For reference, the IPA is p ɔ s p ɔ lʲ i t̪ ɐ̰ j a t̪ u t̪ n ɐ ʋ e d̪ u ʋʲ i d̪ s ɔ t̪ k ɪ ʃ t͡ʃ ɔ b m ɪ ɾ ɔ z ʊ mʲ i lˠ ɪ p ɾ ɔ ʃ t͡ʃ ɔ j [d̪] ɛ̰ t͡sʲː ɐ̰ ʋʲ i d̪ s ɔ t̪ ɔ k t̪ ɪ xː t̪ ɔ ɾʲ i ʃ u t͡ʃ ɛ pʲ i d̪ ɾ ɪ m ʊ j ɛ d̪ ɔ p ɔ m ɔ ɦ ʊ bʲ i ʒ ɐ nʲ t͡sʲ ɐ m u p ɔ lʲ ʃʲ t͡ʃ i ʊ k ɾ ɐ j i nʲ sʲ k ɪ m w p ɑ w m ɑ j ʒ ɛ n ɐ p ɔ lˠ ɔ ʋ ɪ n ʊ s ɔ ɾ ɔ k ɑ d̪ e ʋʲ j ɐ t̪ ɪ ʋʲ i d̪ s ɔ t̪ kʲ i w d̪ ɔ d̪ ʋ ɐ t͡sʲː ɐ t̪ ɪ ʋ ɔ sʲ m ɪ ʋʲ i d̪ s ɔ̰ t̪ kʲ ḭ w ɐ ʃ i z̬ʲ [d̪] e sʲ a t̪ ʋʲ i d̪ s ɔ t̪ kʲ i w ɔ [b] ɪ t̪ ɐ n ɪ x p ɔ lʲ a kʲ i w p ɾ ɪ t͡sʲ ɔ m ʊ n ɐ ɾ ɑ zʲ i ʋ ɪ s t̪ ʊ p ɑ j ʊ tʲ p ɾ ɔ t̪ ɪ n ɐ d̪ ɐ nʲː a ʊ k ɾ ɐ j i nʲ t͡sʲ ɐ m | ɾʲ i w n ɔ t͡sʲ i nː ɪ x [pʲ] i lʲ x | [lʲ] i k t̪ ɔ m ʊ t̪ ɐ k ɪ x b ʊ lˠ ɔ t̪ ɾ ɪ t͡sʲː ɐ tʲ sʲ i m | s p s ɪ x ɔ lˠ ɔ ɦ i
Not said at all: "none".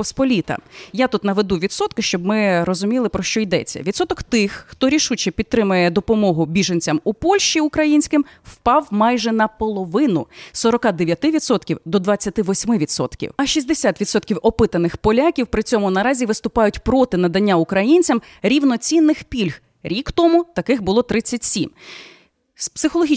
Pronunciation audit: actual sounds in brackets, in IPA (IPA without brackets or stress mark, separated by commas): d̪, d̪, p, pʲ, ɾʲ